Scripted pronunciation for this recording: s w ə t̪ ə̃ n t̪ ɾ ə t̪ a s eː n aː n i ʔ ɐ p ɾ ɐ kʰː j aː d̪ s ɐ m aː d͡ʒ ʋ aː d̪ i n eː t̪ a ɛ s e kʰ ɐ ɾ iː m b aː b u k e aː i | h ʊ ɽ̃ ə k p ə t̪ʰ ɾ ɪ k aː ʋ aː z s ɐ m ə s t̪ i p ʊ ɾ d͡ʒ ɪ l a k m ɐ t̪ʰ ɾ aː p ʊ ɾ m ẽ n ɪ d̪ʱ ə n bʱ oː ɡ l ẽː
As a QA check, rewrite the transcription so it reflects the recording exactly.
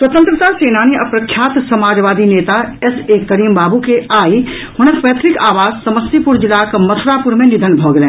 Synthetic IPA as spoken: s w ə t̪ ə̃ n t̪ ɾ ə t̪ a s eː n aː n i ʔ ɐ p ɾ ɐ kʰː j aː t̪ s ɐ m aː d͡ʒ ʋ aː d̪ i n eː t̪ a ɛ s e k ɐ ɾ iː m b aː b u k e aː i | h ʊ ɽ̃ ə k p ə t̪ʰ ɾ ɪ k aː ʋ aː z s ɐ m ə s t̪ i p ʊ ɾ d͡ʒ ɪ l a k m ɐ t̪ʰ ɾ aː p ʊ ɾ m ẽ n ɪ d̪ʱ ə n bʱ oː ɡ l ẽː